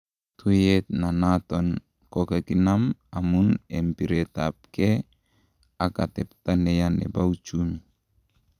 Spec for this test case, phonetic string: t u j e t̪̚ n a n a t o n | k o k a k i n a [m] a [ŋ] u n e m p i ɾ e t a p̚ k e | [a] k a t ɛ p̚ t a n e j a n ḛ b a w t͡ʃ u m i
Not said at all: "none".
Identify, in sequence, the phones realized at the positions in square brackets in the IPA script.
m, m, a

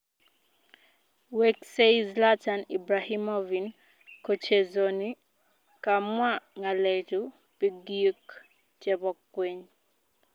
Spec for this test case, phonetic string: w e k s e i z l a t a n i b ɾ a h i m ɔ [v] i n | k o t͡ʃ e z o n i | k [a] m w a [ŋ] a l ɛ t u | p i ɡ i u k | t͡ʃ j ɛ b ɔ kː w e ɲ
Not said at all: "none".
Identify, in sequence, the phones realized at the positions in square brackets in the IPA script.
v, a, ŋ

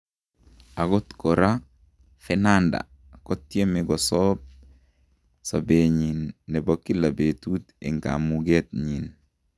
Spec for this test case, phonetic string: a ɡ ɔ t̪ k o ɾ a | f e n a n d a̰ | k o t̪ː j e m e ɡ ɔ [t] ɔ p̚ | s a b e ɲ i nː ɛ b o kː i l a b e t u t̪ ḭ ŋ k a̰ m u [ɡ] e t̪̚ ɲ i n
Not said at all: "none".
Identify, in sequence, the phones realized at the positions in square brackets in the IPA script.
s, ɡ

